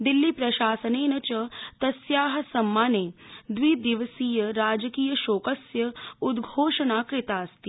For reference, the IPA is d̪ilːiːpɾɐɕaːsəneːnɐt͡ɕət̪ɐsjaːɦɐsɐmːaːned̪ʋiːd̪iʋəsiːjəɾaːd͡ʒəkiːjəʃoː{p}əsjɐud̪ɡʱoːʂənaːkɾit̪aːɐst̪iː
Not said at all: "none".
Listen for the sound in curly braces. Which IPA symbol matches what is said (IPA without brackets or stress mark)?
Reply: k